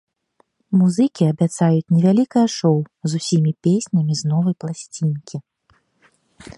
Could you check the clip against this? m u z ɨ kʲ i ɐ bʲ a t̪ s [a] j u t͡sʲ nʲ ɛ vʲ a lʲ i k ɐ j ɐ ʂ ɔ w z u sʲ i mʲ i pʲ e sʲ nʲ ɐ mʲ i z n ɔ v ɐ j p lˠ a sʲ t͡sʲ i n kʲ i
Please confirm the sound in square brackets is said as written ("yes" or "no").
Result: yes